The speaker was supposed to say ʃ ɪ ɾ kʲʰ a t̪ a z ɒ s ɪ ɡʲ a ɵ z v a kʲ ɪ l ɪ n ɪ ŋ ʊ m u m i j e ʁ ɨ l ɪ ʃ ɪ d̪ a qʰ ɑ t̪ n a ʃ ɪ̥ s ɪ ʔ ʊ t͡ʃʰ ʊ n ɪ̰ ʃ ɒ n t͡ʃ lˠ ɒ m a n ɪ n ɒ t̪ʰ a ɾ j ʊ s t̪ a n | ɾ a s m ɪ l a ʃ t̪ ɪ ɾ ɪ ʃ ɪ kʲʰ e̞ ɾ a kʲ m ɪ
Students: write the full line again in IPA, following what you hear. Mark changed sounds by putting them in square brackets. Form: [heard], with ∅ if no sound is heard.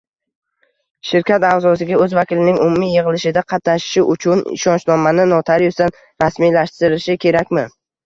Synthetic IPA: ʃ ɪ ɾ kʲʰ a t̪ a z ɒ s ɪ ɡʲ a ɵ z v a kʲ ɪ l ɪ n ɪ ŋ ʊ m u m i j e ʁ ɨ l ɪ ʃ ɪ d̪ a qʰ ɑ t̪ n a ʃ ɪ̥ [ʃ] ɪ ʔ ʊ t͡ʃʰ ʊ n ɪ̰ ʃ ɒ n t͡ʃ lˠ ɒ m a n ɪ n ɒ t̪ʰ a ɾ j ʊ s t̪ a n | ɾ a s m [i] l a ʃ t̪ ɪ ɾ ɪ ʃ ɪ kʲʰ e̞ ɾ a kʲ m ɪ